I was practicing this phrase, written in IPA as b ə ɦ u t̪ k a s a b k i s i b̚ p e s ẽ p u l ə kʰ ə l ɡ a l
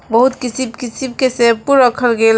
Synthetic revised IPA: b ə ɦ u t̪ k i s i b k i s i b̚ k e s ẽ p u ɾ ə kʰ ə l ɡ e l